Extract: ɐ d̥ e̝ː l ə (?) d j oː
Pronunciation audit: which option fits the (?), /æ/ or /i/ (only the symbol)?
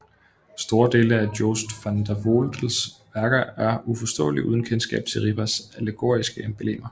æ